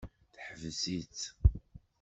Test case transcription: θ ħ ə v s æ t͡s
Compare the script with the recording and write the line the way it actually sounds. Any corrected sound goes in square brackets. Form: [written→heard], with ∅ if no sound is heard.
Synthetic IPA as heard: θ ħ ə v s [æ→i] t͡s